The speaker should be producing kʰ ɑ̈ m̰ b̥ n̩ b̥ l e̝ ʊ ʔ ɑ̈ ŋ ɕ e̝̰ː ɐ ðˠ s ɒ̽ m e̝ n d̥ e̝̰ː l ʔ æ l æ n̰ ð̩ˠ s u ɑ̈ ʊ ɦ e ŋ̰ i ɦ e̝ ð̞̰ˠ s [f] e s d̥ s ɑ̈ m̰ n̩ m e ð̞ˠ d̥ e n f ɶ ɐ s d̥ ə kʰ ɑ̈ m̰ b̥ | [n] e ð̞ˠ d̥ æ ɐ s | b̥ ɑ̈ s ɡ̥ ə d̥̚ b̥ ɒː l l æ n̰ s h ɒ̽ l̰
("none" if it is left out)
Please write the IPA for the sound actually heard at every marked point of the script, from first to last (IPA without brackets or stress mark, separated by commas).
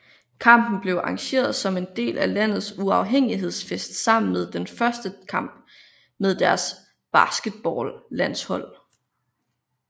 f, m